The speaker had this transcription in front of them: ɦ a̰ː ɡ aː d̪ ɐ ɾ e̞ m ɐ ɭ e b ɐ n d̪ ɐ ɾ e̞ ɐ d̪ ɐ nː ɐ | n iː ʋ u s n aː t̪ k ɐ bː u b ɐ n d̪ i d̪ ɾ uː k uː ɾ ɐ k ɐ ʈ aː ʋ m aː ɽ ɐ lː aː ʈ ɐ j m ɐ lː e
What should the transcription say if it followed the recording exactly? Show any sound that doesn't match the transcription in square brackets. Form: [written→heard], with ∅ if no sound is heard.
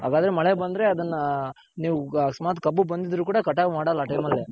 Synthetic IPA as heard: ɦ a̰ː ɡ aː d̪ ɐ ɾ e̞ m ɐ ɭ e b ɐ n d̪ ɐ ɾ e̞ ɐ d̪ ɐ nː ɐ | n iː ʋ u s [n→m] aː t̪ k ɐ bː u b ɐ n d̪ i d̪ ɾ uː k uː [ɾ→ɽ] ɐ k ɐ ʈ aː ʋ m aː ɽ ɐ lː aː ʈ ɐ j m ɐ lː e